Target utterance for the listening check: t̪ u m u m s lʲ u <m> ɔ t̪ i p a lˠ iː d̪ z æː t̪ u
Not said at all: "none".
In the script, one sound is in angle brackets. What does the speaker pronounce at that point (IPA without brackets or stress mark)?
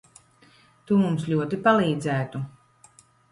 none